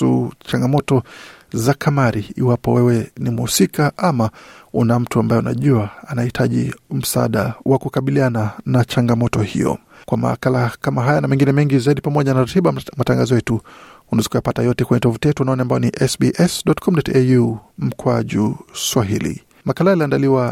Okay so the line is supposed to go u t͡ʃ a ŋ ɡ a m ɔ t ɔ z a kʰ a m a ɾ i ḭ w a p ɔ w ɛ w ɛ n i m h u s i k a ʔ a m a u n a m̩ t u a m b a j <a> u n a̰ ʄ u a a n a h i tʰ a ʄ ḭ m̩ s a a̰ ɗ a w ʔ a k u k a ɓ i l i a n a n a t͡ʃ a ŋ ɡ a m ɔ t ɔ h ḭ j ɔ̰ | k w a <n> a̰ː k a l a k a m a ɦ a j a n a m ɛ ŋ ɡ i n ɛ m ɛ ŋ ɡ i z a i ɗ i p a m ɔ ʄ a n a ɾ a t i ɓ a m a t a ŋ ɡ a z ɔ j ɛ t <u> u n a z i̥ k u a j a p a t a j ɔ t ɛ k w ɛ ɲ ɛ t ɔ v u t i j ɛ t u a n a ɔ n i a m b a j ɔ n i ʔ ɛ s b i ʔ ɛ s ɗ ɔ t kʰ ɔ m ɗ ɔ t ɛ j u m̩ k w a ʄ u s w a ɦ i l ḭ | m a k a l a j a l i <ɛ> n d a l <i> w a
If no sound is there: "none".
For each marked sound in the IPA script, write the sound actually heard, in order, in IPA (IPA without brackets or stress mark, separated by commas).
ɛ, m, u, a, i